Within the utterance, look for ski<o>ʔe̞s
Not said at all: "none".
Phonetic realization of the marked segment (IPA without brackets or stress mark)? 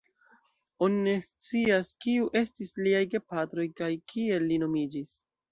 u